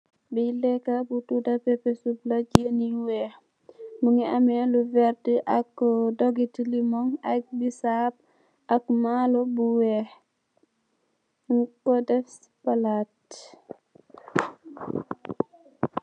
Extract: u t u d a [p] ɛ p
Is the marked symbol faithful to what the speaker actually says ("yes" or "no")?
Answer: yes